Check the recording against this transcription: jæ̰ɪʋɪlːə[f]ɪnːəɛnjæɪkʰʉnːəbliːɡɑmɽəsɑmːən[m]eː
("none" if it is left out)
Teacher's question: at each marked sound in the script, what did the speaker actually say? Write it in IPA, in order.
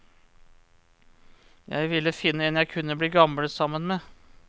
f, m

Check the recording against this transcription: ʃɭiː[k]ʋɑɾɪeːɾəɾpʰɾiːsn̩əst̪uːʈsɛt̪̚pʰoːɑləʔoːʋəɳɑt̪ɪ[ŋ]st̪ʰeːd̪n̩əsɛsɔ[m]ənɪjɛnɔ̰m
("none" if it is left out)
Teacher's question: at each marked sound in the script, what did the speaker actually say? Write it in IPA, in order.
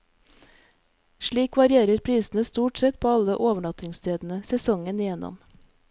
k, ŋ, ŋ

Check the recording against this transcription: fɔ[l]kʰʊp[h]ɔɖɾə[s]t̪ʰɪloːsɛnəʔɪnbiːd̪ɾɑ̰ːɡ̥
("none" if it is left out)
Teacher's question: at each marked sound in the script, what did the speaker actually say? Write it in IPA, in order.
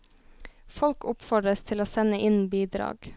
l, f, s

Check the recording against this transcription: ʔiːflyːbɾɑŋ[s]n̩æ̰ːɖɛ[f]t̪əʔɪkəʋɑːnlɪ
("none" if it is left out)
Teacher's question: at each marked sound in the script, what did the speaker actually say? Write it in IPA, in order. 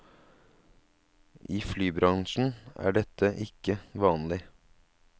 ʃ, none

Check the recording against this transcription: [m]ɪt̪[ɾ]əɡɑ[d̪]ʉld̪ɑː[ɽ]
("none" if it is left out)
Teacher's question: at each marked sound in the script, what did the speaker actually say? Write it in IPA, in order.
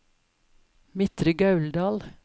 m, ɾ, none, l

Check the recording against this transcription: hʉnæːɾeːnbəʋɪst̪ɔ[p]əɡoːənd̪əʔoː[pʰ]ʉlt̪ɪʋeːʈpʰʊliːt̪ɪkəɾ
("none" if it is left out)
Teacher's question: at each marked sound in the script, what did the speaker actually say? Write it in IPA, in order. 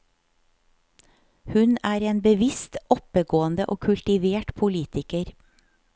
p, kʰ

